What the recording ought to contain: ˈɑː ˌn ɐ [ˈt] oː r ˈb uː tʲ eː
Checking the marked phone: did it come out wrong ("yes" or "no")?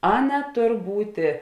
no